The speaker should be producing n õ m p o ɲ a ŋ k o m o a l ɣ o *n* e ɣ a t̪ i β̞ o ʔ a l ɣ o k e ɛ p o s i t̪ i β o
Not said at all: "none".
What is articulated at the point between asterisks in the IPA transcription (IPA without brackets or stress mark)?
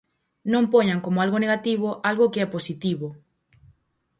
n